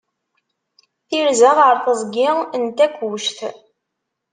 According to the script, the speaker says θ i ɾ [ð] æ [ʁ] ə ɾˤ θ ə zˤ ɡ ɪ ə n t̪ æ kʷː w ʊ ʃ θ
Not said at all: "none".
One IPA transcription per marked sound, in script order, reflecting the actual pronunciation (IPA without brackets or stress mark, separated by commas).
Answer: z, ʁ